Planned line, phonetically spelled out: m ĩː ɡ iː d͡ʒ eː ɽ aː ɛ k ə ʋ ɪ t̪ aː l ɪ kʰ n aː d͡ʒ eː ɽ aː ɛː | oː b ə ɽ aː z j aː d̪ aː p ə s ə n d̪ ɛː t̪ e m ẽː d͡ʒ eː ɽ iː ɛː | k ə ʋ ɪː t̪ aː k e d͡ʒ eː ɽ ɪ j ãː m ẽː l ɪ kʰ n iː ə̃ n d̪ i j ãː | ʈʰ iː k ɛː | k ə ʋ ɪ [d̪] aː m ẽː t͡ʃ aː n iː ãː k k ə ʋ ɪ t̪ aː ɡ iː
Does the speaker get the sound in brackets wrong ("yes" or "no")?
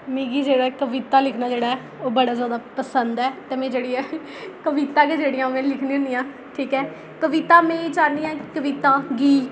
yes